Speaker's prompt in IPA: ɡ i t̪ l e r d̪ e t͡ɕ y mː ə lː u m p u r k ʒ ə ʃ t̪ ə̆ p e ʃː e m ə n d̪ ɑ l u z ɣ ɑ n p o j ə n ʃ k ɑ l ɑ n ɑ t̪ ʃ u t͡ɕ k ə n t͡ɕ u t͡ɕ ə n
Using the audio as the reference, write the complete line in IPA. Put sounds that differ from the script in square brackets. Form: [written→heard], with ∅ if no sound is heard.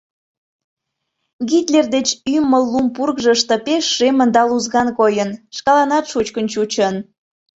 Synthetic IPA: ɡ i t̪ l e r d̪ e t͡ɕ y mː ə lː u m p u r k ʒ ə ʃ t̪ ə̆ p e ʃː e m ə n d̪ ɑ l u z ɣ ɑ n [p→k] o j ə n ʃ k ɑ l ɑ n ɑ t̪ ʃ u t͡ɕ k ə n t͡ɕ u t͡ɕ ə n